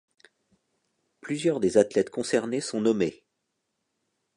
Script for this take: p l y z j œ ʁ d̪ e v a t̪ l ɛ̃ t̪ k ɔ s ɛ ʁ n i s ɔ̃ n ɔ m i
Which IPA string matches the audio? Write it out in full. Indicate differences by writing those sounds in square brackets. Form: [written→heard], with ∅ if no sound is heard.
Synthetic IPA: p l y z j œ ʁ d̪ e [v→z] a t̪ l [ɛ̃→ɛ] t̪ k [ɔ→ɔ̃] s ɛ ʁ n [i→e] s ɔ̃ n ɔ m [i→e]